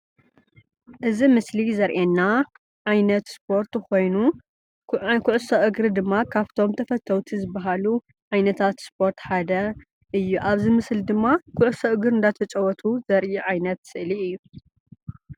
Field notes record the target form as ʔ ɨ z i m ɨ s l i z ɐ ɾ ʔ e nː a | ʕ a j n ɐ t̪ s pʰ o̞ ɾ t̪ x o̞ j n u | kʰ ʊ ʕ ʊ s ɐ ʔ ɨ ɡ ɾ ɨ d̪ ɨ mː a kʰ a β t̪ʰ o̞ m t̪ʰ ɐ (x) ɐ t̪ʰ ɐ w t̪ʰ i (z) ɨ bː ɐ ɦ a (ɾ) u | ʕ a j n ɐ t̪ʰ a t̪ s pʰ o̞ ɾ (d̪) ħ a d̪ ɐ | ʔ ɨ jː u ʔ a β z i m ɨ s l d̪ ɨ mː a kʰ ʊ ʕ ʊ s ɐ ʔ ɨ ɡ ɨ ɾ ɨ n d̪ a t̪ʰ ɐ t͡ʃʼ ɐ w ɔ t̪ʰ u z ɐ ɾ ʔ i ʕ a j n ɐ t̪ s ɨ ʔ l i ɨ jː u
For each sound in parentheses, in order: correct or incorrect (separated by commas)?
incorrect, correct, incorrect, incorrect